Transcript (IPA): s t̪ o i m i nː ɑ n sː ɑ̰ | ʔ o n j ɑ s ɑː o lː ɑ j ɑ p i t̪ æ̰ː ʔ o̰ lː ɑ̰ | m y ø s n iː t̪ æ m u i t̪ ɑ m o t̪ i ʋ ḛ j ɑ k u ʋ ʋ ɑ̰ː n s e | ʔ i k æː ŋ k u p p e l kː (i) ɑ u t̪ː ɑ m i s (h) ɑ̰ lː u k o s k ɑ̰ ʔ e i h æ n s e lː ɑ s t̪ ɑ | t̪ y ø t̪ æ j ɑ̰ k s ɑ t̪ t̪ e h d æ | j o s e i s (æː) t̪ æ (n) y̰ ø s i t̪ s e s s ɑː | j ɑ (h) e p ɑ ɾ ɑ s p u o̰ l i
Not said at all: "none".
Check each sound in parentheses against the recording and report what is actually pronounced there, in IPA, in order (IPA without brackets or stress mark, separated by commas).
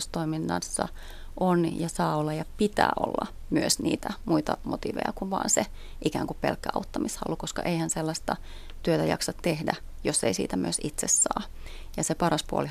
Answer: æ, h, iː, m, s